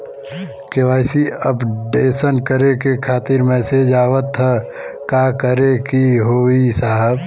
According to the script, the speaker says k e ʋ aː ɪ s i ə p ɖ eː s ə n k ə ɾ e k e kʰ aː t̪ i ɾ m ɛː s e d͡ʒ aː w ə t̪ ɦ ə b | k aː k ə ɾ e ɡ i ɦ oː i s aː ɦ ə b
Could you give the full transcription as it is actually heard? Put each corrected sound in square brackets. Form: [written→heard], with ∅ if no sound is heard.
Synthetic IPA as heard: k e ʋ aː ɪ s i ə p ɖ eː s ə n k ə ɾ e k e kʰ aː t̪ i ɾ m ɛː s e d͡ʒ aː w ə t̪ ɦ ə [b→∅] | k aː k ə ɾ e [ɡ→k] i ɦ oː i s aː ɦ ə b